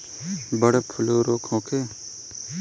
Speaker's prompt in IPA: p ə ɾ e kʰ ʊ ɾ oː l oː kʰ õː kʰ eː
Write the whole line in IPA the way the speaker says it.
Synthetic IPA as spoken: b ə ɽ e pʰ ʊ l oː ɾ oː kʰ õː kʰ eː